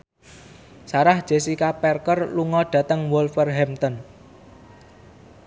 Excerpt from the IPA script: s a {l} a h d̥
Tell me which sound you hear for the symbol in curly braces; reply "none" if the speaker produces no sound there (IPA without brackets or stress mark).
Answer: ɾ